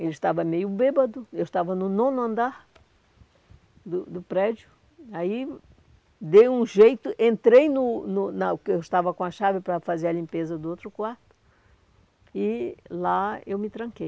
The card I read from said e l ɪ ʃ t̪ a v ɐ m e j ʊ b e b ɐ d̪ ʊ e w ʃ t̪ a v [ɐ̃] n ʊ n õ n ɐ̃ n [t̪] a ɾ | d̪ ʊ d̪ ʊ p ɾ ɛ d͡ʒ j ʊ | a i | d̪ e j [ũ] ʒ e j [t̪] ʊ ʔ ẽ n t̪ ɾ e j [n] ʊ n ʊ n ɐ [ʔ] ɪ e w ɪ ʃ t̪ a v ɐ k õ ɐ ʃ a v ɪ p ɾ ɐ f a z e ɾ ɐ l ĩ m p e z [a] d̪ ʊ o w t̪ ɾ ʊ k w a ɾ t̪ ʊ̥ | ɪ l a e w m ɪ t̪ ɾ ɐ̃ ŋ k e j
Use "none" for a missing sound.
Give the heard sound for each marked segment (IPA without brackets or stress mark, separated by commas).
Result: ɐ, d̪, ũ, t̪, n, k, ɐ